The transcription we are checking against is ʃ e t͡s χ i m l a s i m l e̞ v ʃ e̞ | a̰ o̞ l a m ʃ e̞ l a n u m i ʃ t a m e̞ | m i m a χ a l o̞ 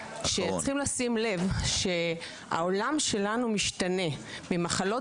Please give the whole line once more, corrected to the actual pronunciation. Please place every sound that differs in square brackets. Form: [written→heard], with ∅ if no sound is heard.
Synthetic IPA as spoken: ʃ e t͡s χ i m l a s i m l e̞ v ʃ e̞ | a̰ o̞ l a m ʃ e̞ l a n u m i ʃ t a [m→n] e̞ | m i m a χ a l o̞